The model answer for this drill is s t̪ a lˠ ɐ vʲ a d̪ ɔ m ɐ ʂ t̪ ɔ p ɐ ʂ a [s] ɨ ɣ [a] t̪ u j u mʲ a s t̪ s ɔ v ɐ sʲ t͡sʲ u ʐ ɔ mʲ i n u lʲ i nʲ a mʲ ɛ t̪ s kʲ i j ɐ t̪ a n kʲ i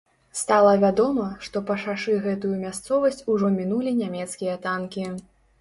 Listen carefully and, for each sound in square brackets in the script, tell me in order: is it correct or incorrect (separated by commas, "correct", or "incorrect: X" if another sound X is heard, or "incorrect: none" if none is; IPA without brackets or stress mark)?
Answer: incorrect: ʂ, incorrect: ɛ